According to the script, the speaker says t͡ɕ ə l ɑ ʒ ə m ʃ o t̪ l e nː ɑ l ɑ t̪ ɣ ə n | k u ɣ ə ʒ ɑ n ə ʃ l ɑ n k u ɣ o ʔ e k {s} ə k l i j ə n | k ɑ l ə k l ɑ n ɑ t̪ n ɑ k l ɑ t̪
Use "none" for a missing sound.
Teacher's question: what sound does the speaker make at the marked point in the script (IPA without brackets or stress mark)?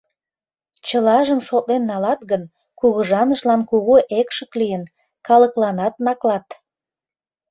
ʃ